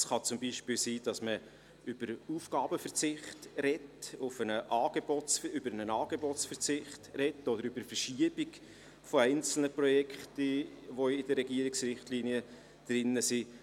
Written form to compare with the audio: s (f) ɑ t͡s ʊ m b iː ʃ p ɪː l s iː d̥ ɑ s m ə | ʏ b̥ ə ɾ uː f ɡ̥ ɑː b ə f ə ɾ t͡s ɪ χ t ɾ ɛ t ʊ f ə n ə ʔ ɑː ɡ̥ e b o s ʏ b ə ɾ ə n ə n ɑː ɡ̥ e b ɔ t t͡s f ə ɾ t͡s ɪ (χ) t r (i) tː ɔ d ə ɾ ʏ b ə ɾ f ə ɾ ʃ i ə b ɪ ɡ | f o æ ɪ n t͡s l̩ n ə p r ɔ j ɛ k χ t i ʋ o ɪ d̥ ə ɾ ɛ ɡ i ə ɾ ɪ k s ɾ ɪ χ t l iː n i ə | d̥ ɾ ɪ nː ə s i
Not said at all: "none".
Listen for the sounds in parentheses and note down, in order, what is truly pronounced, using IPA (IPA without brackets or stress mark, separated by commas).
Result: χ, χ, ɛ